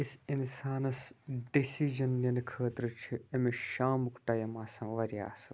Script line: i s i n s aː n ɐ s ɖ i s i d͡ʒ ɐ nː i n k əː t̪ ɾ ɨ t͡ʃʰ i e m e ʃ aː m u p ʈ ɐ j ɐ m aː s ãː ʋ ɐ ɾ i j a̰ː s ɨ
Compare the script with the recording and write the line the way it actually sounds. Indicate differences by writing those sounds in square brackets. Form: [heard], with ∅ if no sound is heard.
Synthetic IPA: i s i n s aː n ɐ s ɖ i s i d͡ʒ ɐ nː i n [kʰ] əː t̪ ɾ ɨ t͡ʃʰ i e m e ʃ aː m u [k] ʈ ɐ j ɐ m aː s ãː ʋ ɐ ɾ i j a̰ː s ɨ